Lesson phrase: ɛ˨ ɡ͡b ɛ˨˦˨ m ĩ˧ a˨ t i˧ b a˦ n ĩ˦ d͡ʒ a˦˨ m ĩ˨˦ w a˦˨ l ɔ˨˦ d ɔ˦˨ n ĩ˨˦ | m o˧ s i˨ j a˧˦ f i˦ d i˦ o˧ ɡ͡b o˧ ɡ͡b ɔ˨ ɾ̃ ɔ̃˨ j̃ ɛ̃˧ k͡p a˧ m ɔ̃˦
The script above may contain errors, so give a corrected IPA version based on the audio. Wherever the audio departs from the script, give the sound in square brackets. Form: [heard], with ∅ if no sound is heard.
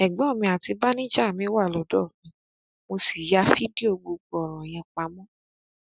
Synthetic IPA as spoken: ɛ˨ ɡ͡b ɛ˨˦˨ m ĩ˧ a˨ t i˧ b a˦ n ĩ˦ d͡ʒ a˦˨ m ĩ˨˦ w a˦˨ l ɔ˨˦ d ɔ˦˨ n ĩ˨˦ | m o˧ s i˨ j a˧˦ f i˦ d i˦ o˧ ɡ͡b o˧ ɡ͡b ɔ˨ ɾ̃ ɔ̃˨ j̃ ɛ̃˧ k͡p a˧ m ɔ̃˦